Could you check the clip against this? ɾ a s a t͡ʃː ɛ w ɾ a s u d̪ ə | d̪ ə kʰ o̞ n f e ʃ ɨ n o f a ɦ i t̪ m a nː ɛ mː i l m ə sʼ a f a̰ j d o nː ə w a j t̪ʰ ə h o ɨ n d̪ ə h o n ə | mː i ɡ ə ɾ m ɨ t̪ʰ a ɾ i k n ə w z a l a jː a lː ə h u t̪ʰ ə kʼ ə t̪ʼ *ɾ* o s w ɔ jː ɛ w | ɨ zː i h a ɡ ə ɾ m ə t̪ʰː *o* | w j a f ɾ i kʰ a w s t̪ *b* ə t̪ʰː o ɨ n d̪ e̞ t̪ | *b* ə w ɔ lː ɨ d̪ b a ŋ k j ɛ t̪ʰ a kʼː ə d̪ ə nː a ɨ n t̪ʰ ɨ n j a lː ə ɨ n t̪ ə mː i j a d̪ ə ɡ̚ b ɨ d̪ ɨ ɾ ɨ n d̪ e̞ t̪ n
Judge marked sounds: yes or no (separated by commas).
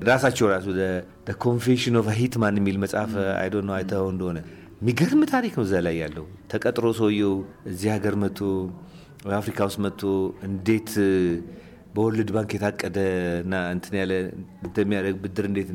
yes, yes, no, yes